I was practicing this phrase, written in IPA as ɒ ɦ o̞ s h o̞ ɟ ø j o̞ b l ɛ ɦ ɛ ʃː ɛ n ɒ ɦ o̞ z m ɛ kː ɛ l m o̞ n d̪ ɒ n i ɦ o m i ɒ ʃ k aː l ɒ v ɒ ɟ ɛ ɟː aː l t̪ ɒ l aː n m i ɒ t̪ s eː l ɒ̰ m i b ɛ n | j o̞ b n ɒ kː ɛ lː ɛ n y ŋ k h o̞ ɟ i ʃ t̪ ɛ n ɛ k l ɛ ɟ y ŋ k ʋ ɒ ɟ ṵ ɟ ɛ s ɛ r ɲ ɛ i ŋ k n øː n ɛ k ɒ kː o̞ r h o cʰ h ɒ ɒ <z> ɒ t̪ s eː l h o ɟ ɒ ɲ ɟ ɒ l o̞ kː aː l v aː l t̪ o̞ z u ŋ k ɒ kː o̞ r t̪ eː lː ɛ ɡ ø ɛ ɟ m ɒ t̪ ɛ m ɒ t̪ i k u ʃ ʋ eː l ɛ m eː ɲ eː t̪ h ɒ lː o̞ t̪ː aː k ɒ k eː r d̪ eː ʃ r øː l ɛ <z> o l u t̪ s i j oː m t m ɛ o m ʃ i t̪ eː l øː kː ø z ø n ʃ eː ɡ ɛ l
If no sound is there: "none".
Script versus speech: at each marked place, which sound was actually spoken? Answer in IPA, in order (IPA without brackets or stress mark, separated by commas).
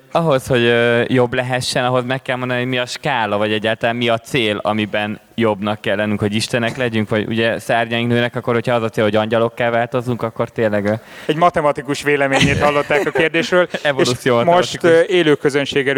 z, v